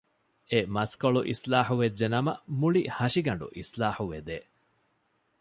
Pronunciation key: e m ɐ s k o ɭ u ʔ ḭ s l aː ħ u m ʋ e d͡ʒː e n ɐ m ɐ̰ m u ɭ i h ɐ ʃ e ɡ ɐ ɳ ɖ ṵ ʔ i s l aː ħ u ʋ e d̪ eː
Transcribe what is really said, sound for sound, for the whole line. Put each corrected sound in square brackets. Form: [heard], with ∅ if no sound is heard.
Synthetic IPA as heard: e m ɐ s k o ɭ u ʔ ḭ s l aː ħ u [∅] ʋ e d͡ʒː e n ɐ m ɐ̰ m u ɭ i h ɐ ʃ [i] ɡ ɐ ɳ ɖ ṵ ʔ i s l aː ħ u ʋ e d̪ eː